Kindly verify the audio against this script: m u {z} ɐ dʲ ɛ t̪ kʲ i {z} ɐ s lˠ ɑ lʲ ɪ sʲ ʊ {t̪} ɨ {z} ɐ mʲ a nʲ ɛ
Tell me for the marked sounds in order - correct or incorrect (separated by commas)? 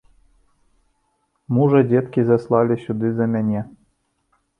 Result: incorrect, correct, incorrect, correct